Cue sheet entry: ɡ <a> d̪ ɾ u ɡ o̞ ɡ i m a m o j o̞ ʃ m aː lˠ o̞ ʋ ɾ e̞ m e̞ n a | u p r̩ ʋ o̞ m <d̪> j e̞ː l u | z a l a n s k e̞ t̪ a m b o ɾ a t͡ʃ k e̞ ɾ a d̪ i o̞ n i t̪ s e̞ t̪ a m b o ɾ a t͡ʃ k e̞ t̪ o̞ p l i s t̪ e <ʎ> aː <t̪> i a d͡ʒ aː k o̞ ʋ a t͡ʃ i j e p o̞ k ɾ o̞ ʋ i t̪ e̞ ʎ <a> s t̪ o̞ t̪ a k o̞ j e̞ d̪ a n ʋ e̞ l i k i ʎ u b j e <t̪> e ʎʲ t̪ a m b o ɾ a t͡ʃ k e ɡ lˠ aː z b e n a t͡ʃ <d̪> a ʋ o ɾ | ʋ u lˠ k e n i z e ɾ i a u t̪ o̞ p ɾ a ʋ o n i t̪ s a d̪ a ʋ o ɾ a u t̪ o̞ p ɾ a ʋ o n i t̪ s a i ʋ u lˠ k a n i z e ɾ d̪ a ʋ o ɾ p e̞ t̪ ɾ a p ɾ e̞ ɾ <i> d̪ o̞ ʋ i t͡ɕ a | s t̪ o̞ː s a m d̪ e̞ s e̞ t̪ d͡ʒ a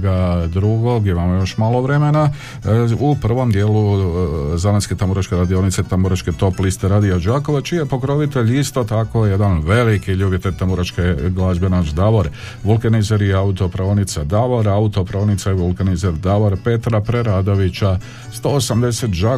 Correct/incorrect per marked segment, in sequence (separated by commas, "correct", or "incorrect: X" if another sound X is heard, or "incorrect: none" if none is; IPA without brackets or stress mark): correct, correct, incorrect: ɾ, incorrect: d̪, incorrect: i, correct, correct, incorrect: a